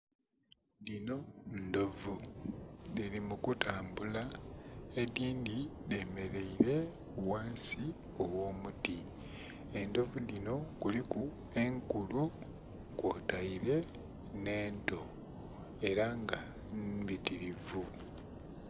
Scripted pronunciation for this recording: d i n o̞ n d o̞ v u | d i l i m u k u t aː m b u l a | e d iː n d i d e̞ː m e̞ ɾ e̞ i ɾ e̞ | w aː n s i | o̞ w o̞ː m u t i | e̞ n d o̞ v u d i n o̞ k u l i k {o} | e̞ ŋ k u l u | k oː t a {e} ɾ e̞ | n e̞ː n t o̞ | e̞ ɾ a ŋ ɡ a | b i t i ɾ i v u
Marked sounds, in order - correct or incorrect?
incorrect, incorrect

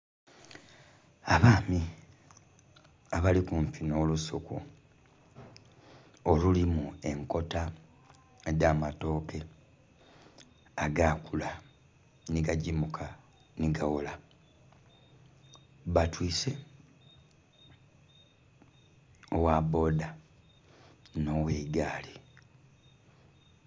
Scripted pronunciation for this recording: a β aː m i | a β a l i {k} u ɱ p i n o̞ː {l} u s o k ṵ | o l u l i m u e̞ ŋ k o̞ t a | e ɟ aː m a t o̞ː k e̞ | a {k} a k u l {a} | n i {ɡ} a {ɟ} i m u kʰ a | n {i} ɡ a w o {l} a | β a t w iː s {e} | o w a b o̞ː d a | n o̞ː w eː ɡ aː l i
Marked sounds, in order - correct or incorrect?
correct, correct, incorrect, correct, correct, correct, correct, correct, correct

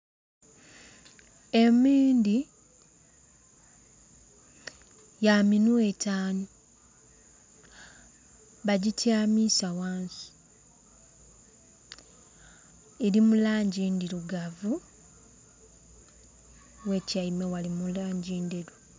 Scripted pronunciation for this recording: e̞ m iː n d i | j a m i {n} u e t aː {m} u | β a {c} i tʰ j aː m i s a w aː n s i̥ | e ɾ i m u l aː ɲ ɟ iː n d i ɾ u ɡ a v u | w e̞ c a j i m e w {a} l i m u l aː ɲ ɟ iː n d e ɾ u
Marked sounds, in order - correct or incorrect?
correct, incorrect, incorrect, correct

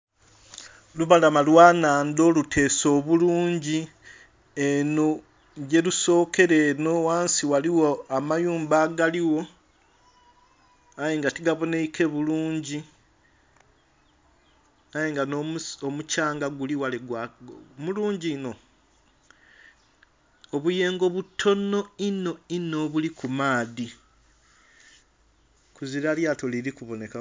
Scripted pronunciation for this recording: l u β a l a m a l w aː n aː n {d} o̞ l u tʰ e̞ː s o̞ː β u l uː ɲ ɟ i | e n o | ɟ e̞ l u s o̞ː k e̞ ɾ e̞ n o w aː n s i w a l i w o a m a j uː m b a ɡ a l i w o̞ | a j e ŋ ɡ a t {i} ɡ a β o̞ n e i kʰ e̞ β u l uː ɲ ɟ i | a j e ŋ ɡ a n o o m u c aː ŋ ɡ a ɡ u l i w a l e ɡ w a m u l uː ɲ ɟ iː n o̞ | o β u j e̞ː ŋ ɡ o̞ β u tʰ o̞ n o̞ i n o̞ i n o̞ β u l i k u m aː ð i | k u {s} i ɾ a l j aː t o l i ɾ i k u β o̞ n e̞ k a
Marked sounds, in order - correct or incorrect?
correct, correct, incorrect

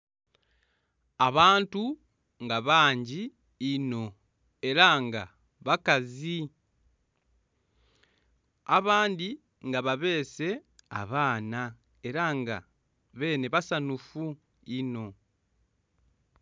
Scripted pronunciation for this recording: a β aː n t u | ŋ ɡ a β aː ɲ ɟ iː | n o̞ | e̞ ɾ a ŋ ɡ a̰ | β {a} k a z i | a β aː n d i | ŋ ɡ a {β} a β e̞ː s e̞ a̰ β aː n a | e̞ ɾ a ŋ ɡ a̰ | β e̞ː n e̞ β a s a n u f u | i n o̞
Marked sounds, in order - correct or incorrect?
correct, correct

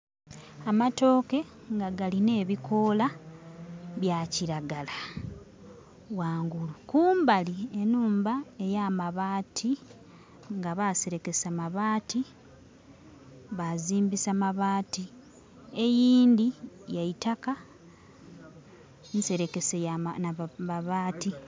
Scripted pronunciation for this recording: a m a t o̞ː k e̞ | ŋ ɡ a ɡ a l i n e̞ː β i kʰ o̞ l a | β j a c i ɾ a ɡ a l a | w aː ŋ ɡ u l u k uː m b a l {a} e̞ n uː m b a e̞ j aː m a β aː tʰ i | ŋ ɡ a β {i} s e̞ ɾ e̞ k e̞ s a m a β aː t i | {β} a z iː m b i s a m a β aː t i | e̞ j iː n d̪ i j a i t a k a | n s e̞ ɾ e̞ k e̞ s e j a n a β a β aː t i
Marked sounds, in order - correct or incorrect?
incorrect, incorrect, correct

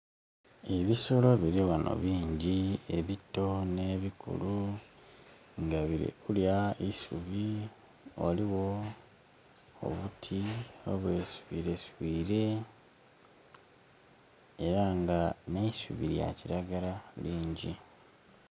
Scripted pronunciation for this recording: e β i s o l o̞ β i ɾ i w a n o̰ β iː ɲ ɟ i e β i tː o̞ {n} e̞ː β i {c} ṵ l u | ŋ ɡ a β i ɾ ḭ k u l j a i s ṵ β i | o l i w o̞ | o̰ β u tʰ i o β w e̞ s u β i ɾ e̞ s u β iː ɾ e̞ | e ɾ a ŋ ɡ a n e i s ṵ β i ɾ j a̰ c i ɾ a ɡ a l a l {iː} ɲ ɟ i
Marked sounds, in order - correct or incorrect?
correct, incorrect, correct

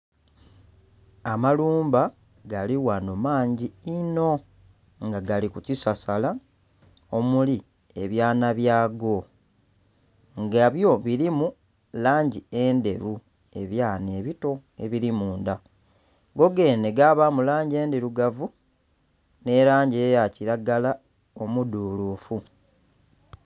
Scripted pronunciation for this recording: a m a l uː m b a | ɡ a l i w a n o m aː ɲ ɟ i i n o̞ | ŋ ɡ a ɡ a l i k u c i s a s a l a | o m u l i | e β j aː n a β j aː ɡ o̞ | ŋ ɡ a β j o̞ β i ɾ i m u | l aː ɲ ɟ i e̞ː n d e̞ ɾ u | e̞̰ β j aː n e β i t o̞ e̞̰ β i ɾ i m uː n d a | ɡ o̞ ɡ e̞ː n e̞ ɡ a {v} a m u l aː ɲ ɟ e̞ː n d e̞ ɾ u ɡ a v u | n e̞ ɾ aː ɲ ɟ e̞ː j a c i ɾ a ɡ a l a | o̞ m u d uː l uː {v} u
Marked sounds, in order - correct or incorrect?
incorrect, incorrect

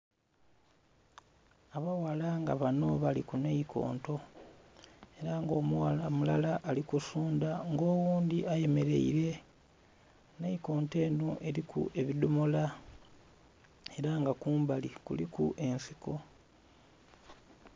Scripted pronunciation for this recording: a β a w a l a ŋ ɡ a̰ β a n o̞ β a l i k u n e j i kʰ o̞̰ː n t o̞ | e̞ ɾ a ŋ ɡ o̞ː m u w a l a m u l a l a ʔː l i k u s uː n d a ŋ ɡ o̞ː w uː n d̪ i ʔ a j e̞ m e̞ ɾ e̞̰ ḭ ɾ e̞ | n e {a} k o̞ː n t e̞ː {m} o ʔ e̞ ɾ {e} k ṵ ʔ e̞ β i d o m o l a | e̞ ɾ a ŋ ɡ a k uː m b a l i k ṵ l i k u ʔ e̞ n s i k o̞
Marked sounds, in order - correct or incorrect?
incorrect, incorrect, incorrect

